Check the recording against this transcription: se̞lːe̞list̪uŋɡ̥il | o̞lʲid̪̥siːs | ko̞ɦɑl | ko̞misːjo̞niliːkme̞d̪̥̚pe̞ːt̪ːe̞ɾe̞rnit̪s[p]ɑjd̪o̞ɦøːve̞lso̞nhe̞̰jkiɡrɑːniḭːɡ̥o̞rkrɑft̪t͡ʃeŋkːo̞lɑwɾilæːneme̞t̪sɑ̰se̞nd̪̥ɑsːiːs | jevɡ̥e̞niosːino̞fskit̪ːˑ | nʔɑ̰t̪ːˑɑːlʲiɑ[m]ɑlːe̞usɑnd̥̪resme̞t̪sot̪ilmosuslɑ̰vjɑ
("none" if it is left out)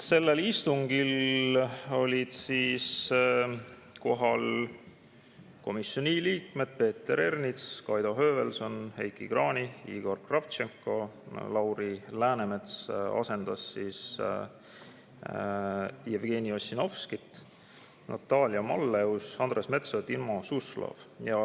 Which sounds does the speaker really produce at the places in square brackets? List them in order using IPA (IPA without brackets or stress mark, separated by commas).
k, m